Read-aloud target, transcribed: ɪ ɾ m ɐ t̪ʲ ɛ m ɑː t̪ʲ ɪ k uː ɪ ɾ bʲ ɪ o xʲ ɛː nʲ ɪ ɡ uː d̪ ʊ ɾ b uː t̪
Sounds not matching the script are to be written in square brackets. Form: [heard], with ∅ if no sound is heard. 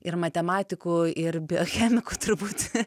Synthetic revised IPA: ɪ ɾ m ɐ t̪ʲ ɛ m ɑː t̪ʲ ɪ k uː ɪ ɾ bʲ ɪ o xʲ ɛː [mʲ] ɪ [k] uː [t̪] ʊ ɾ b uː t̪

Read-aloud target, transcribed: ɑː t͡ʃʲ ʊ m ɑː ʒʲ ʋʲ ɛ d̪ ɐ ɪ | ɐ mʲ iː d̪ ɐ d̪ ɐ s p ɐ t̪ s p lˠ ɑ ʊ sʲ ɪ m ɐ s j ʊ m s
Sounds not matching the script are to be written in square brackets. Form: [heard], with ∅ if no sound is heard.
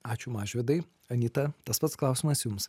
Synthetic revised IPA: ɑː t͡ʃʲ ʊ m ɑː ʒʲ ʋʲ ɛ d̪ ɐ ɪ | ɐ [nʲ] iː [t̪] ɐ [t̪] ɐ s p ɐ t̪ s [k] lˠ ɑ ʊ sʲ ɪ m ɐ s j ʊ m s

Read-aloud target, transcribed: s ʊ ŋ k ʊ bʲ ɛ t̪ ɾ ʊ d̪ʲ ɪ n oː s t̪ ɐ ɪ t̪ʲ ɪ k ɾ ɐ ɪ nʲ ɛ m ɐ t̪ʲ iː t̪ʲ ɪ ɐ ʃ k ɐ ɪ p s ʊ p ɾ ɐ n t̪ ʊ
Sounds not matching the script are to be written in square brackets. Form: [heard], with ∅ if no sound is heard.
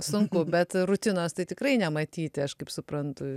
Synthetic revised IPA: s ʊ ŋ k ʊ bʲ ɛ t̪ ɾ ʊ [t̪ʲ] ɪ n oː s t̪ ɐ ɪ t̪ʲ ɪ k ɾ ɐ ɪ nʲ ɛ m ɐ t̪ʲ iː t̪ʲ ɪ ɐ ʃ k ɐ ɪ p s ʊ p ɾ ɐ n t̪ ʊ

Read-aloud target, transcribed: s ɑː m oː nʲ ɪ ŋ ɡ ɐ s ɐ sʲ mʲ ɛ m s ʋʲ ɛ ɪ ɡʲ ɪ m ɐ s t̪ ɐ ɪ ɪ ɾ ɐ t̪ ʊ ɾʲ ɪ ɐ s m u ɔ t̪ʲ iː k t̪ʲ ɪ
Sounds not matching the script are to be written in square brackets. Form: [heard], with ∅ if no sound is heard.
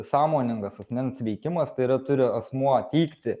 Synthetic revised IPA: s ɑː m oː nʲ ɪ ŋ ɡ ɐ s ɐ sʲ mʲ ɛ [n] s ʋʲ ɛ ɪ [kʲ] ɪ m ɐ s t̪ ɐ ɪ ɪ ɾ ɐ t̪ ʊ ɾʲ ɪ ɐ s m u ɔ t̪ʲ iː k t̪ʲ ɪ

